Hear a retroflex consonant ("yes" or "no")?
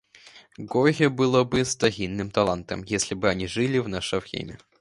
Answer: yes